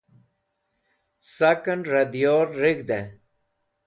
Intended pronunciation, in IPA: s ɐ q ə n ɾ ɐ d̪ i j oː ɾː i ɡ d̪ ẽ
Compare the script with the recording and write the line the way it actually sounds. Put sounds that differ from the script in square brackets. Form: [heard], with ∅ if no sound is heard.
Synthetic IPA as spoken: s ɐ [k] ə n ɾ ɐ d̪ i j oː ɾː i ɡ d̪ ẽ

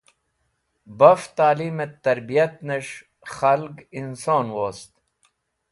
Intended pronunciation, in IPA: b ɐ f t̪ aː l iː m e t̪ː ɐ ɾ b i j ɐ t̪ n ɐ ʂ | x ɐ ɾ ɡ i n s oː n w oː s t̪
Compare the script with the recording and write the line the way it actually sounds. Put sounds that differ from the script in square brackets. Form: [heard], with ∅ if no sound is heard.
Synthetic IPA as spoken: b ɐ f t̪ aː l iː m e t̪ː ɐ ɾ b i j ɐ t̪ n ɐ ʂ | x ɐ [l] ɡ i n s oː n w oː s t̪

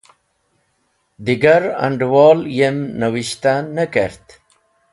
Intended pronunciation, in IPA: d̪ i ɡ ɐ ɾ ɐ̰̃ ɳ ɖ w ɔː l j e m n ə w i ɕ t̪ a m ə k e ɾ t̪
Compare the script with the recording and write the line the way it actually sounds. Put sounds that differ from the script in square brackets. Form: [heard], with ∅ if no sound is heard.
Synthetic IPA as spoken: d̪ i ɡ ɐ ɾ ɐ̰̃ ɳ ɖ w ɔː l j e m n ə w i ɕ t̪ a [n] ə k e ɾ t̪

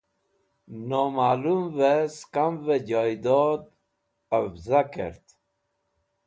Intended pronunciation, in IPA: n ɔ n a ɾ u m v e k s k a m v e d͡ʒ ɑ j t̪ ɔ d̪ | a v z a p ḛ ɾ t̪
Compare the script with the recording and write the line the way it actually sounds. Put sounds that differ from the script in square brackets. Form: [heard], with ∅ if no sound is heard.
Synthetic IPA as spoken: n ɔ [m] a [l] u m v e [∅] s k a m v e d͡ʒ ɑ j [d̪] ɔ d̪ | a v z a [k] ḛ ɾ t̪

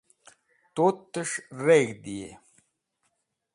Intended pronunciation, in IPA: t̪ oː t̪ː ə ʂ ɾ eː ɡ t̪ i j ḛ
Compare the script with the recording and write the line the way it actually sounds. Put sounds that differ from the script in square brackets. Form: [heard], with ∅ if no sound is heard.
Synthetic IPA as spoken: t̪ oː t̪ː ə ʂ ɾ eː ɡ [d̪] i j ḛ

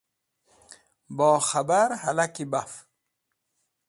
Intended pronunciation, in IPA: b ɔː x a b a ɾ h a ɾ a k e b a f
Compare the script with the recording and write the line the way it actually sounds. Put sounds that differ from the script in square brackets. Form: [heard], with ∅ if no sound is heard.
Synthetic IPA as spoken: b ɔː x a b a ɾ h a [l] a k [i] b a f

